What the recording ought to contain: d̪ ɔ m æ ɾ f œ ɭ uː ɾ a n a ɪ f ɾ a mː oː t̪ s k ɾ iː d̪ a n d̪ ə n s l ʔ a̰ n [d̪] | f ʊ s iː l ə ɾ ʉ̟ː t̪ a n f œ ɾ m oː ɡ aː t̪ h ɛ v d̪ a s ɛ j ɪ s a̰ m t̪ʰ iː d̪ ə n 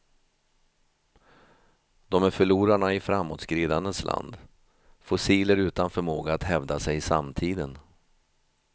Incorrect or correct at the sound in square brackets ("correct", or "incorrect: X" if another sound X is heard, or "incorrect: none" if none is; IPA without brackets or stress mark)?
correct